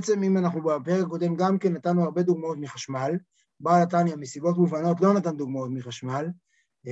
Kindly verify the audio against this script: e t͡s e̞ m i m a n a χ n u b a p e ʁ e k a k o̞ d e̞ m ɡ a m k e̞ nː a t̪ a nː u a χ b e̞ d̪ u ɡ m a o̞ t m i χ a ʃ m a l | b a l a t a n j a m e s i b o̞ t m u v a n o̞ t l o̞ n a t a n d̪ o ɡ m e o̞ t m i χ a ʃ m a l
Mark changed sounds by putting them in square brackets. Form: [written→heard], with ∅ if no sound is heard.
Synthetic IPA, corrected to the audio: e t͡s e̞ m i m a n a χ n u b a p e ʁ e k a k o̞ d e̞ m ɡ a m k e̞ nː a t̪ a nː u a [χ→ʁ] b e̞ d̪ u ɡ m a o̞ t m i χ a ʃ m a l | b a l a t a n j a m e s i b o̞ t m u v a n o̞ t l o̞ n a t a n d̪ [o→u] ɡ m [e→a] o̞ t m i χ a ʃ m a l